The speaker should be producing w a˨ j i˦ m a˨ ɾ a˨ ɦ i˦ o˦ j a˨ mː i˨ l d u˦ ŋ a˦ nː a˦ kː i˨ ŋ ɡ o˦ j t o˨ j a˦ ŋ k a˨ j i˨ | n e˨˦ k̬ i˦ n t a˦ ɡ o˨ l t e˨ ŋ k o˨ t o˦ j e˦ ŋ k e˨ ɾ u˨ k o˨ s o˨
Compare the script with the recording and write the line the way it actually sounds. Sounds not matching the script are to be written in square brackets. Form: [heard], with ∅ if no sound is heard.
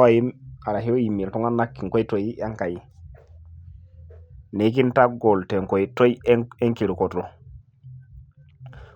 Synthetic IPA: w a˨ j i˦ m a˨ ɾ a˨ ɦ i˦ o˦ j [i˨] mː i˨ l [t] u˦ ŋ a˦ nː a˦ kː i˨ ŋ [k] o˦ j t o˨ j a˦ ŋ k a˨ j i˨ | n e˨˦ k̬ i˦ n t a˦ ɡ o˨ l t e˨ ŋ k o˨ t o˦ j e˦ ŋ k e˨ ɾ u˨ k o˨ [t] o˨